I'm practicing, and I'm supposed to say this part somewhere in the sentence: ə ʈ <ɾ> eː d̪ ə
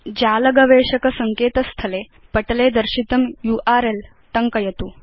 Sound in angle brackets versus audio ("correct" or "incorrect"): incorrect